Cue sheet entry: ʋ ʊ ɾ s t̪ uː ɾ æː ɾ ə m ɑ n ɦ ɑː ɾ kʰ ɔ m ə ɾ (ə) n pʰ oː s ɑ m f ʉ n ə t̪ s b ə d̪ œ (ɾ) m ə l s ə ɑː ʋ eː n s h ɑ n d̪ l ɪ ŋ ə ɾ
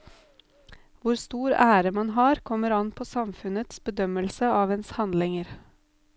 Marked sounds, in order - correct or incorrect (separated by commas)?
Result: incorrect, incorrect